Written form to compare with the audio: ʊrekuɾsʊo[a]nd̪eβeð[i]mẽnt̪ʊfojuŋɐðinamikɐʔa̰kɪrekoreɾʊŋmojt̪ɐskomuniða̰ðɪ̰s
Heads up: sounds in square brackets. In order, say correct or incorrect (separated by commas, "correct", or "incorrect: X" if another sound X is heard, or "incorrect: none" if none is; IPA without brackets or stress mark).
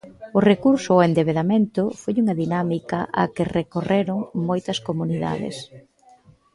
incorrect: e, incorrect: a